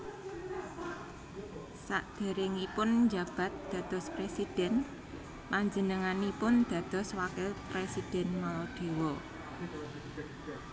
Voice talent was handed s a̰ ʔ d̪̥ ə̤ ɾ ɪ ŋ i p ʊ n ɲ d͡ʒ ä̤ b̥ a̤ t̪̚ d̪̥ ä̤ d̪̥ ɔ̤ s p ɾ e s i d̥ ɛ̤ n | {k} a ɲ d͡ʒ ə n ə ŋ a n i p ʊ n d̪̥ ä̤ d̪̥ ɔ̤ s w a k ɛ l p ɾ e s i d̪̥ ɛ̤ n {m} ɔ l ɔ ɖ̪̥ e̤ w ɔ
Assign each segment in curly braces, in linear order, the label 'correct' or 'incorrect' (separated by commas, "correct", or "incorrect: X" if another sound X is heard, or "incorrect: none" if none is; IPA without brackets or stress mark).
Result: incorrect: p, correct